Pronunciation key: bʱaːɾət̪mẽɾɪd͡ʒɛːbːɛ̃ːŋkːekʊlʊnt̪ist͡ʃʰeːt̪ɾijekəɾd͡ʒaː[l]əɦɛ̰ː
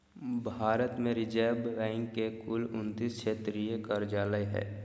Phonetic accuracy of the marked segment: correct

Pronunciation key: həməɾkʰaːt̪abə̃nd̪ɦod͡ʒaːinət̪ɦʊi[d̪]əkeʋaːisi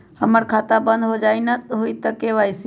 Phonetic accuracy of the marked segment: incorrect: t̪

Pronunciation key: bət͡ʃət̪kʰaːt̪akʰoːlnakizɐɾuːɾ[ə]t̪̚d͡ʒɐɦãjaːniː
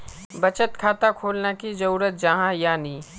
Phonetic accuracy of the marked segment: correct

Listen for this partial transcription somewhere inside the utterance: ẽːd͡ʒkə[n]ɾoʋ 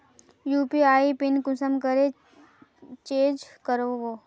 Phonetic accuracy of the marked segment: incorrect: none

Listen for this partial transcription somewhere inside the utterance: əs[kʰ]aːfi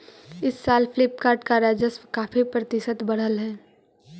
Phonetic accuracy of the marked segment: incorrect: k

